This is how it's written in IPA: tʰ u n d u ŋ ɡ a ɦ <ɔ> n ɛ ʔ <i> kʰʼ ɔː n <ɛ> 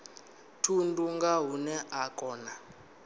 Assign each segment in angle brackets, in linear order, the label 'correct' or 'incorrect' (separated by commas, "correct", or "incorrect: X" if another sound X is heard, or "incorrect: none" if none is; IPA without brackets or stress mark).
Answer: incorrect: u, incorrect: a, incorrect: a